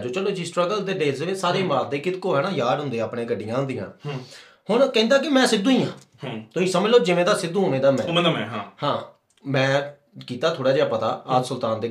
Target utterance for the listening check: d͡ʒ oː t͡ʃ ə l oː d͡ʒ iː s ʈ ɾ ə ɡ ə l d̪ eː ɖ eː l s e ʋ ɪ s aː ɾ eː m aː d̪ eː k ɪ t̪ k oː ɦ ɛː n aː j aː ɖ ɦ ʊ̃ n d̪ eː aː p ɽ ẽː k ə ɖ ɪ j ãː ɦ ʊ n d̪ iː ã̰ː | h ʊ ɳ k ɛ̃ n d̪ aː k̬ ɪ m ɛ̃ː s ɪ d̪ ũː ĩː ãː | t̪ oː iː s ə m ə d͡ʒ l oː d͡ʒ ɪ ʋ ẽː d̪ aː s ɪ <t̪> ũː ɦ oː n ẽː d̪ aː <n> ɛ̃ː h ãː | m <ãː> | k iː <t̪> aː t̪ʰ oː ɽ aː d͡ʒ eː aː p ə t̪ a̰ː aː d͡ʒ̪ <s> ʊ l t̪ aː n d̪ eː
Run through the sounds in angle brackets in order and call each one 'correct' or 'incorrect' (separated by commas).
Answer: incorrect, incorrect, incorrect, correct, correct